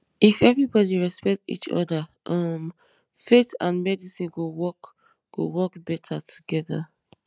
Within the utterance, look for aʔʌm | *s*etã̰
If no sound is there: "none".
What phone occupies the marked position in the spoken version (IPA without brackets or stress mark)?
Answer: f